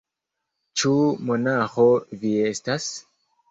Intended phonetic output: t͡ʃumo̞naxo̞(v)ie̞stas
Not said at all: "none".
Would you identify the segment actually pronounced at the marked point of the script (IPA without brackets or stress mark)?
v